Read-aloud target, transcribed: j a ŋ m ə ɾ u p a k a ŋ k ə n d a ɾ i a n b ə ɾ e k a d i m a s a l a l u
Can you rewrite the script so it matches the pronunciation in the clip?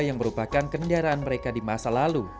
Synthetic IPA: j a ŋ m ə ɾ u p a k a n k ə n d a ɾ a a n m ə ɾ e k a d i m a s a l a l u